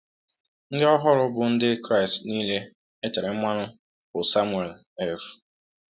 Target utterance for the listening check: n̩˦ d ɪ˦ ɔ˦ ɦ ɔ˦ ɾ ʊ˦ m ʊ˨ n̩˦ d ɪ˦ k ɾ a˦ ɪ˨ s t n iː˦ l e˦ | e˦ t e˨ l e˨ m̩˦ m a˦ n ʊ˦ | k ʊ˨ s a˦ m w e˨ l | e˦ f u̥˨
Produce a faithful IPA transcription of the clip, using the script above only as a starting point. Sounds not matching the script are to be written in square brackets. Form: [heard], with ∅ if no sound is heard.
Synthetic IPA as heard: n̩˦ d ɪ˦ ɔ˦ ɦ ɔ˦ ɾ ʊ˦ [b] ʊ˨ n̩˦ d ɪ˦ k ɾ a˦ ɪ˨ s t n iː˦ l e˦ | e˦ t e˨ [ɾ] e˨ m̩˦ m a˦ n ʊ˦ | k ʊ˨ s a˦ m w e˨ l | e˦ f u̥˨